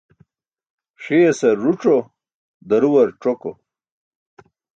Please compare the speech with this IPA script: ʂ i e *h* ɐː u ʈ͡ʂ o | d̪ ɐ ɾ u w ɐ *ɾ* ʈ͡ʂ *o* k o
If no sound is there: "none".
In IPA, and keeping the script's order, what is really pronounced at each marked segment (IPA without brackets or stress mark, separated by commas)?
s, ɾ, o